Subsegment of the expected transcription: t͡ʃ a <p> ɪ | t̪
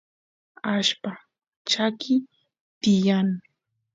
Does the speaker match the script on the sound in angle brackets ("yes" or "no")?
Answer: no